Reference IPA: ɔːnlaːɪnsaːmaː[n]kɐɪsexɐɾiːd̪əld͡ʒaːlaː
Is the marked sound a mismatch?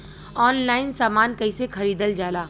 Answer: no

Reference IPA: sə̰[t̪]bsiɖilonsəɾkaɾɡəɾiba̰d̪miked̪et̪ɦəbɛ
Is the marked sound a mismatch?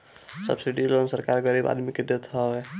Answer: yes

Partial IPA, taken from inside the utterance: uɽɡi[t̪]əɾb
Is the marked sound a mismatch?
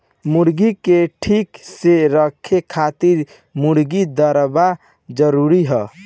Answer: yes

